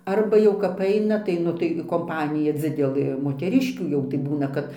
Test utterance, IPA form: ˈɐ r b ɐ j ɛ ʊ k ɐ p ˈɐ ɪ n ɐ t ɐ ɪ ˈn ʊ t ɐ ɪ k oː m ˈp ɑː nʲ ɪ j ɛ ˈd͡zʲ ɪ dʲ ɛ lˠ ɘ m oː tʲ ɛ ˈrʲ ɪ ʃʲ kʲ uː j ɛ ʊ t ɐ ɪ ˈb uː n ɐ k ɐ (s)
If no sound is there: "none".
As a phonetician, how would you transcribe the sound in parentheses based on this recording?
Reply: t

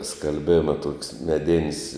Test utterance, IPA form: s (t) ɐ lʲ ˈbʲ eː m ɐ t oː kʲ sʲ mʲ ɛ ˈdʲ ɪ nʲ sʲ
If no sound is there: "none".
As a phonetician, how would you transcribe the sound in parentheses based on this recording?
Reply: k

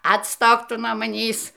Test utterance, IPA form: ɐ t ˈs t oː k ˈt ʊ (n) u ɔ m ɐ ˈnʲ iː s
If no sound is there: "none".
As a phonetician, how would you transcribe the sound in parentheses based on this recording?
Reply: n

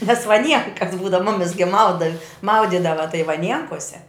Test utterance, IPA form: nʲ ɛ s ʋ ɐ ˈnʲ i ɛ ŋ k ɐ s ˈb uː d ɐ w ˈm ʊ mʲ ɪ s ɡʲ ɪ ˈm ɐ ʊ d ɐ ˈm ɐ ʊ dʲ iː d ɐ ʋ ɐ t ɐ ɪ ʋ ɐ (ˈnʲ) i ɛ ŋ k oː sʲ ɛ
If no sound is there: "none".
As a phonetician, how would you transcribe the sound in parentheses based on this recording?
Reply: nʲ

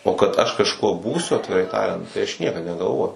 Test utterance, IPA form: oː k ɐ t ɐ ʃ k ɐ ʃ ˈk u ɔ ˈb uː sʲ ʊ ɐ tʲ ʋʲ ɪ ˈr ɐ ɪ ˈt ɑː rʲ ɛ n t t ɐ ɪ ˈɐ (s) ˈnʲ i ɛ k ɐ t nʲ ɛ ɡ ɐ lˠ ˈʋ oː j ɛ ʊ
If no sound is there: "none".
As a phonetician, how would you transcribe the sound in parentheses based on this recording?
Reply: ʃ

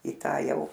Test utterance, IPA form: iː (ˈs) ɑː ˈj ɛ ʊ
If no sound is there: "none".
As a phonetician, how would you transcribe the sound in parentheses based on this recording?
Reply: t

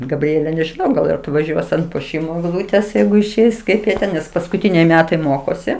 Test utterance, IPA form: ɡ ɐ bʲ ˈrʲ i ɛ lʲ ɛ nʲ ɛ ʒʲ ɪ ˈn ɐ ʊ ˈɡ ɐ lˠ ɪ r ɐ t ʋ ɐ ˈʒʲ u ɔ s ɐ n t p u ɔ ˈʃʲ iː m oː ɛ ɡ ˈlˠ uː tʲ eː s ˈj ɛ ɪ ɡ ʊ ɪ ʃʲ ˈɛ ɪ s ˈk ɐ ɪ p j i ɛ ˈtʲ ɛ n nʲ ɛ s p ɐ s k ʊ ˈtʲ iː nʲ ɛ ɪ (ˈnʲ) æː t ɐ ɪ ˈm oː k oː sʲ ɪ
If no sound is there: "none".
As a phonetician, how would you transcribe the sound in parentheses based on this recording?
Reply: mʲ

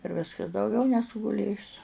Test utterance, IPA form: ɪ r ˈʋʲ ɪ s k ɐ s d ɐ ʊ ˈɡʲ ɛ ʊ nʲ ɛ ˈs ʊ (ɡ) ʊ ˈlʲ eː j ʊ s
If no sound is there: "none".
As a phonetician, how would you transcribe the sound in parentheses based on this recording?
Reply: ɡ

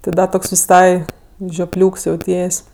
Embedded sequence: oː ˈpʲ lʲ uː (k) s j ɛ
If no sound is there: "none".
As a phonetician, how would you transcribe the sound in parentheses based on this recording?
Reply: k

